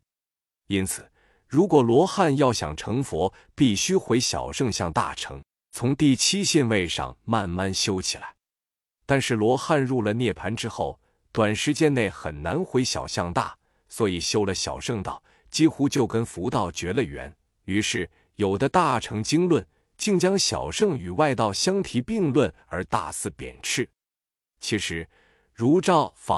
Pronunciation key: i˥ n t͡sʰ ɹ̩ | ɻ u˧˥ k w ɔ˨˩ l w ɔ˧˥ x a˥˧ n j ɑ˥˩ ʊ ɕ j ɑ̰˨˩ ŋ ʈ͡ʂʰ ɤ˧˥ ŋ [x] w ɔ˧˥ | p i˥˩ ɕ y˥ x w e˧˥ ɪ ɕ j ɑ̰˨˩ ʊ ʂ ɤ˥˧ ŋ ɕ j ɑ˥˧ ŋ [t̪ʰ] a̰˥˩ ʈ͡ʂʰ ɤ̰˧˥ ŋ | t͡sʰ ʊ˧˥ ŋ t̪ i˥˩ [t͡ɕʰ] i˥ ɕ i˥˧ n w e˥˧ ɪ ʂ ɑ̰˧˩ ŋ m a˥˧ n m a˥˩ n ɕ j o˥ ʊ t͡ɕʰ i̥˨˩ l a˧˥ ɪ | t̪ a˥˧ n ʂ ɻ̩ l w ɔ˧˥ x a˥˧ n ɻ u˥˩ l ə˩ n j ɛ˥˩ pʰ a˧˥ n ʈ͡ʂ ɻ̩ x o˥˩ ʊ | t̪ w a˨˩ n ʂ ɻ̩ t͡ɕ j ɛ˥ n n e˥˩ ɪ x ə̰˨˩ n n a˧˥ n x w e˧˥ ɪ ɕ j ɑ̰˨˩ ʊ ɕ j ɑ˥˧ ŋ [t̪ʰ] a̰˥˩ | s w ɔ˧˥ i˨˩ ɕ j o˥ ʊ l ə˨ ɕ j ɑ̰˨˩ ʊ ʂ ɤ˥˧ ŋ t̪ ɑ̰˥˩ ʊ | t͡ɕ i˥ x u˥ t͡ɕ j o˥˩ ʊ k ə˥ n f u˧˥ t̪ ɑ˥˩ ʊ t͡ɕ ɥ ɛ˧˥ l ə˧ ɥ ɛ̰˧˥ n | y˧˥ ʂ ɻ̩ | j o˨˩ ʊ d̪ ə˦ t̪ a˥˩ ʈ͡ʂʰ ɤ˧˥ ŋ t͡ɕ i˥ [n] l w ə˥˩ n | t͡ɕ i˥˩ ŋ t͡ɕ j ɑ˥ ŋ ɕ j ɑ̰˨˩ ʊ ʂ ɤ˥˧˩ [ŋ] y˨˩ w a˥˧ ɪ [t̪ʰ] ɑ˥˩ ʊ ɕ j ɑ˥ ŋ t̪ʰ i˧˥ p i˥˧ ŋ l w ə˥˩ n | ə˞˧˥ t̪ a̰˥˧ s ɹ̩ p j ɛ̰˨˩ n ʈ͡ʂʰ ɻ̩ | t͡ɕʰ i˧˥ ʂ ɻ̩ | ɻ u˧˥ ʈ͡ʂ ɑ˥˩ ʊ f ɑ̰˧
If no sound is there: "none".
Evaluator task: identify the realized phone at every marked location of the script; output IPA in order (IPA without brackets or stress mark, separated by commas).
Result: f, t̪, t͡ɕʰ, t̪, ŋ, ŋ, t̪